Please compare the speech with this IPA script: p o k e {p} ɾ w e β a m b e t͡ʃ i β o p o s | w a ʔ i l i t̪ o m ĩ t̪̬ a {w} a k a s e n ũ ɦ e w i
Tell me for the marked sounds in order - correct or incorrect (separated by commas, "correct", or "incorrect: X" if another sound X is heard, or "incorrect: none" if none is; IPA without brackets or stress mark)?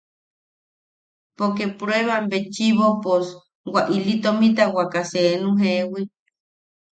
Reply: correct, correct